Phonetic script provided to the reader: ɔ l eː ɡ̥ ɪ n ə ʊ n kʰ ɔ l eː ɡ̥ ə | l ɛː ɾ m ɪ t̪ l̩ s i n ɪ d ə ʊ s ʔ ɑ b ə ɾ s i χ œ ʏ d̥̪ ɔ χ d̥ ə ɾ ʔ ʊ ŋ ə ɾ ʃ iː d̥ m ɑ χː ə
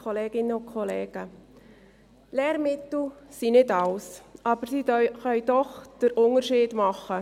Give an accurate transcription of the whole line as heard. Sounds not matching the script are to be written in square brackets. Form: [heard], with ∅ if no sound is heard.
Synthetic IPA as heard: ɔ l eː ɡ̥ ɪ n ə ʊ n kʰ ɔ l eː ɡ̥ ə | l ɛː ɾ m ɪ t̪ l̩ s i n ɪ d [ɑ] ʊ s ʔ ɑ b ə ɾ s i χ œ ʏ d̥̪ ɔ χ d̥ ə ɾ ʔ ʊ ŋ ə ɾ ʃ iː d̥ m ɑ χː ə